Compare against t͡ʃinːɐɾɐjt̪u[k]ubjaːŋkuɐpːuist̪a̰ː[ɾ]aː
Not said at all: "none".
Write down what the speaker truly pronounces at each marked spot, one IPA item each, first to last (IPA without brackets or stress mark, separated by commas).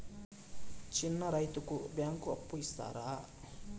k, ɾ